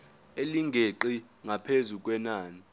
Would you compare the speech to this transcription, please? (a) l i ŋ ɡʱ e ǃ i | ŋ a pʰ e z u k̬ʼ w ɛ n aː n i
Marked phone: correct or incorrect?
incorrect